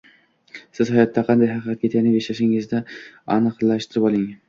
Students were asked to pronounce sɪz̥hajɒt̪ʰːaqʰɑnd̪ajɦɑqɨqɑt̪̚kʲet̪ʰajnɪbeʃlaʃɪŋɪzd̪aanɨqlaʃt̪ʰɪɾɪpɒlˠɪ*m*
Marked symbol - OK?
no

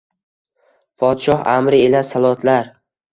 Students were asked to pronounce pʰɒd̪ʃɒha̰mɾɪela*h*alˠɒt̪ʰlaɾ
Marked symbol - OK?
no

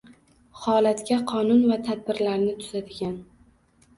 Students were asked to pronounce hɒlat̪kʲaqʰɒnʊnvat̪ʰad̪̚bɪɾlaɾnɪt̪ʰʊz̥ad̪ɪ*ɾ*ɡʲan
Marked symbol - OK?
no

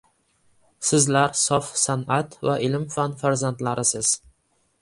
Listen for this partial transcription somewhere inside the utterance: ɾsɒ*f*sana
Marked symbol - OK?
yes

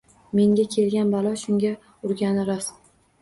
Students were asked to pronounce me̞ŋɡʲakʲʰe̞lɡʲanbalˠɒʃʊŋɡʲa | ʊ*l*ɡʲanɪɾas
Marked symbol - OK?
no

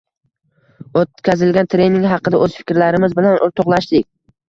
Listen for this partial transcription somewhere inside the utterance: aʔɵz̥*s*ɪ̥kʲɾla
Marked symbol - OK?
no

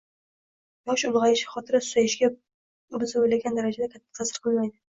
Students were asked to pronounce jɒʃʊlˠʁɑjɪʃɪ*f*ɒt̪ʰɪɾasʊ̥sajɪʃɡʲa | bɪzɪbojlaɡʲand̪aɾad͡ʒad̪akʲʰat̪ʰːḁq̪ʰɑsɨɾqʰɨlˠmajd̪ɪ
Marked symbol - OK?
no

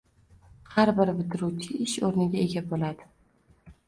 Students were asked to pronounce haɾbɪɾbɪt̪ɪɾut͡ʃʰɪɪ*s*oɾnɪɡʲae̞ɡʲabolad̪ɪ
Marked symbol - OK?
no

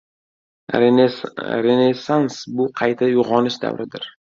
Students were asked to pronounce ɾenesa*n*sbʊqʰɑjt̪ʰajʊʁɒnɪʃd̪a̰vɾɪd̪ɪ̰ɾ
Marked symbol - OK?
yes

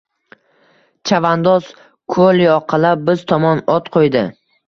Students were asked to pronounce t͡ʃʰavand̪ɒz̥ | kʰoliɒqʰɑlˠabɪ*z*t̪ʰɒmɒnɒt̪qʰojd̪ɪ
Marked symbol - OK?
yes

